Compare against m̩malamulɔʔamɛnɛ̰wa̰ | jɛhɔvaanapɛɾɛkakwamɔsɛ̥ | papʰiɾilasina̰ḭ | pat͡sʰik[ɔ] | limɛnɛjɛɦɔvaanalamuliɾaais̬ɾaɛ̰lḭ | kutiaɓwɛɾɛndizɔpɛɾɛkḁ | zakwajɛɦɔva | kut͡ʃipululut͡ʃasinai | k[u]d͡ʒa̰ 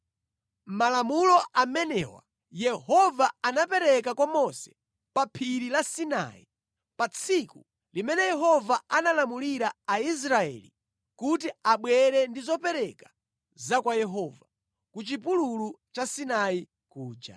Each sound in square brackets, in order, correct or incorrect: incorrect: u, incorrect: uː

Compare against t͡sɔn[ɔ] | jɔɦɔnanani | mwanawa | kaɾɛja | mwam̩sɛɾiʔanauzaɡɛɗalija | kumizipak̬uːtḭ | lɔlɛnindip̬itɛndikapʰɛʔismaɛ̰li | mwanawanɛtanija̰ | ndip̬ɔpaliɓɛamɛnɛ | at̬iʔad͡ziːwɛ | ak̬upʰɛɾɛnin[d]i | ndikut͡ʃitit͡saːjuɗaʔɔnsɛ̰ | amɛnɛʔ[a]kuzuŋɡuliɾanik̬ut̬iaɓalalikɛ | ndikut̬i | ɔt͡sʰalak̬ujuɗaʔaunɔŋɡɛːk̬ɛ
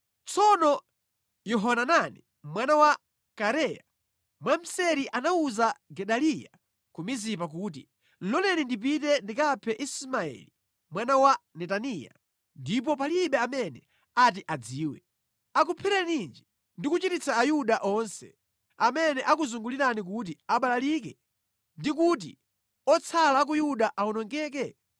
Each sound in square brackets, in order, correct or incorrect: correct, incorrect: d͡ʒ, correct

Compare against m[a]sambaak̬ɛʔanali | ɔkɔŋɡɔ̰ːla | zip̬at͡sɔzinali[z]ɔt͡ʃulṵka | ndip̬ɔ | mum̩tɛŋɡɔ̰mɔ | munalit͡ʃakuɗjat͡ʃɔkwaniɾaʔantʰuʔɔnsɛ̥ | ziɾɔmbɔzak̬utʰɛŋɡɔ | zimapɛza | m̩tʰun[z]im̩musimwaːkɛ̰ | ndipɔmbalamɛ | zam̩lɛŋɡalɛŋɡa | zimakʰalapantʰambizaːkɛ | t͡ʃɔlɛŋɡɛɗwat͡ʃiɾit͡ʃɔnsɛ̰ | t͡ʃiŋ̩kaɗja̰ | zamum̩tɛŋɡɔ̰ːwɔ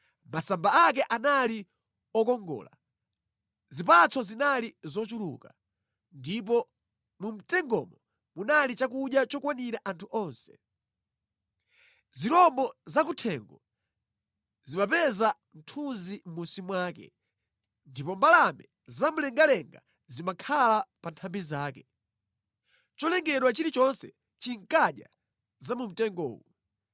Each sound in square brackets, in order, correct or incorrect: correct, correct, correct

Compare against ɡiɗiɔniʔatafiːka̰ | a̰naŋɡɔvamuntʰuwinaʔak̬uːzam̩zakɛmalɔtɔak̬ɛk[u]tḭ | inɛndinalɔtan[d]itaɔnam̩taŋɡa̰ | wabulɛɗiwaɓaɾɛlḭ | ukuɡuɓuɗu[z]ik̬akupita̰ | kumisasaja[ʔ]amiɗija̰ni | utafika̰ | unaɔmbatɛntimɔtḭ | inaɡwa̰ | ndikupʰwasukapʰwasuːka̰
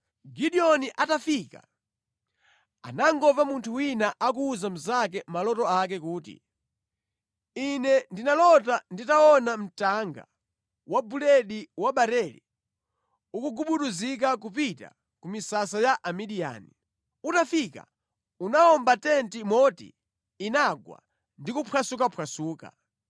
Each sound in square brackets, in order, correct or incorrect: incorrect: uː, correct, correct, correct

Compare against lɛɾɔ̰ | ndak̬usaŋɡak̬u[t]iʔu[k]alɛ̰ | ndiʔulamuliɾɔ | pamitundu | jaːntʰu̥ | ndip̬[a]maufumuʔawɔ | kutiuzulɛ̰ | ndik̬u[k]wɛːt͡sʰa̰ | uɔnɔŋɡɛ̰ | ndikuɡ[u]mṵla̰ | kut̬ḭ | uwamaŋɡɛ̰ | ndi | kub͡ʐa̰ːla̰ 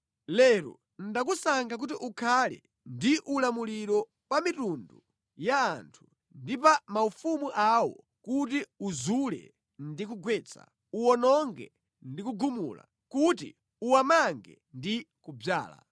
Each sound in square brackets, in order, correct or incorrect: correct, incorrect: kʰ, correct, incorrect: ɡ, correct

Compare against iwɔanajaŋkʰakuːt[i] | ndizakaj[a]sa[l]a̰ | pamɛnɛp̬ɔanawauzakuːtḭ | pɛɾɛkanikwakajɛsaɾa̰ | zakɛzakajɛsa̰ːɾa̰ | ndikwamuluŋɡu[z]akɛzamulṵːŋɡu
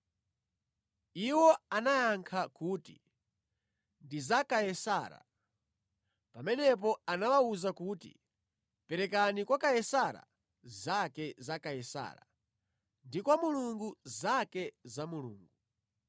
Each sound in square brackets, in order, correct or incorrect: correct, incorrect: ɛ, incorrect: ɾ, correct

